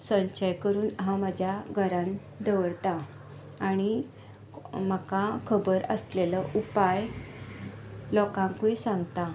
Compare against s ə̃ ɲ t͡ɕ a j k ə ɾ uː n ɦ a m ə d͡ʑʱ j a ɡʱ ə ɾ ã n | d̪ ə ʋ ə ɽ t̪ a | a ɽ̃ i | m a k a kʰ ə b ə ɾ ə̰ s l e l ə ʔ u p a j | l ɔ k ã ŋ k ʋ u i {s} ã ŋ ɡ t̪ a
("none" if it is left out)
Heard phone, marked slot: s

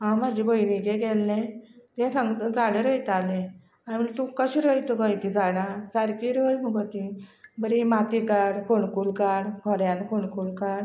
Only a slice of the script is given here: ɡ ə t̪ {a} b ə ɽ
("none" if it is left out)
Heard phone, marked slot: i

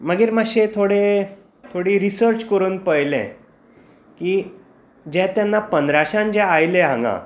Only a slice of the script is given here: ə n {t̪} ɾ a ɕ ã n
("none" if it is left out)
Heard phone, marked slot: d̪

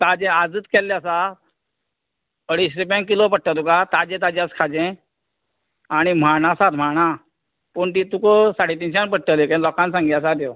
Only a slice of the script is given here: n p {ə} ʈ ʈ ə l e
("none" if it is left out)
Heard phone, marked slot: ə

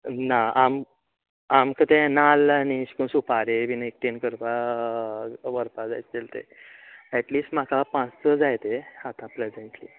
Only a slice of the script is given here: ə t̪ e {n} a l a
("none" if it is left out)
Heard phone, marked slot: n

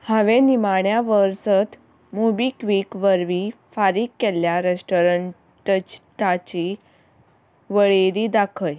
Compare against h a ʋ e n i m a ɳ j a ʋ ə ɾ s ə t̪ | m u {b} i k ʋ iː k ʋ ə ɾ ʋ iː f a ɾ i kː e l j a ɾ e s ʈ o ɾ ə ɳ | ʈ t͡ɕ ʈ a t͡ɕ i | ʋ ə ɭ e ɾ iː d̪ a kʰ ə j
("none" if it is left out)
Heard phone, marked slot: b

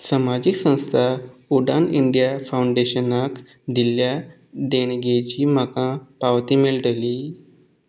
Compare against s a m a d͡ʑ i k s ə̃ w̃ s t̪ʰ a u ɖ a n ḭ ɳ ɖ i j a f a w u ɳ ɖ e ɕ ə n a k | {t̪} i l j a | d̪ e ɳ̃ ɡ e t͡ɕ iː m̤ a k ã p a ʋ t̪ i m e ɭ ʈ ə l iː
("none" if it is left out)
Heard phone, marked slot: d̪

